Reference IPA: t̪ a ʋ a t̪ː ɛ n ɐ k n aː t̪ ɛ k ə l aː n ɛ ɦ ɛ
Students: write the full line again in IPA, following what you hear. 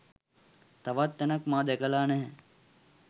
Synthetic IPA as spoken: t̪ a ʋ a t̪ː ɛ n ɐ k m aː d̪ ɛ k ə l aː n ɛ ɦ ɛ